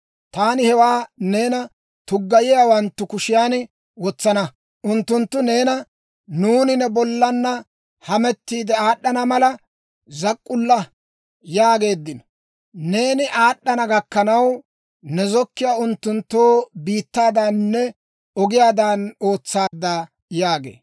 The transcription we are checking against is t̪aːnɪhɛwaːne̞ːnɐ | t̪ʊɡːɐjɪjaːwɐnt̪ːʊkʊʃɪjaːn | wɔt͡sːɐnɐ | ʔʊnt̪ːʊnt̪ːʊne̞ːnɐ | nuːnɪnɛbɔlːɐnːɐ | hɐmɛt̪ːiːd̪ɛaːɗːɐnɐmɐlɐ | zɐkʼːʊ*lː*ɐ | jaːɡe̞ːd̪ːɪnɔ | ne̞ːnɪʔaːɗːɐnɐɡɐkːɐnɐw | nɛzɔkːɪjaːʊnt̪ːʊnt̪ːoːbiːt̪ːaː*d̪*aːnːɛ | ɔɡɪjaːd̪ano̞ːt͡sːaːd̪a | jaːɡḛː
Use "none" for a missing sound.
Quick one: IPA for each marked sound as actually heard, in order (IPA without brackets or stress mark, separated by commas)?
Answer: lː, d̪